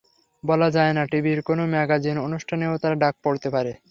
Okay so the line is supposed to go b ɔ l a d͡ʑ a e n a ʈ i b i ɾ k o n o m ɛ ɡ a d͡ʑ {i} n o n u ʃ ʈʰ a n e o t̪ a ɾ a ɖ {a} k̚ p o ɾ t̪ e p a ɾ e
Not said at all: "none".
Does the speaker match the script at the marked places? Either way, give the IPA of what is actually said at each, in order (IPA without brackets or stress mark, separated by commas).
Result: i, a